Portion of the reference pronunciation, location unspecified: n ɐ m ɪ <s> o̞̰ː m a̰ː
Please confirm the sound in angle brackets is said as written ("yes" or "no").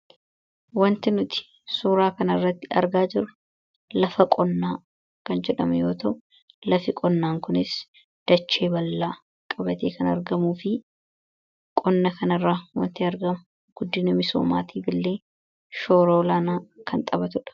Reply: yes